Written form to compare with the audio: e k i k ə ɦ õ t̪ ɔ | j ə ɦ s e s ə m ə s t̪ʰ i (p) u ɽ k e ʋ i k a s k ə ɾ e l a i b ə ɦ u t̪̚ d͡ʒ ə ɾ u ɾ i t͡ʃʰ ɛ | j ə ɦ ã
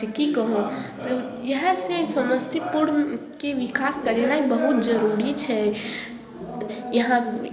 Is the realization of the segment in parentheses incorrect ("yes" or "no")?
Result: no